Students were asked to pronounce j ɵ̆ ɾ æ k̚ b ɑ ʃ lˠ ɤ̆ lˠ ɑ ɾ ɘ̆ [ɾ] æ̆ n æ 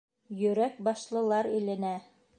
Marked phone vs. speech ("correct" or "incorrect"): incorrect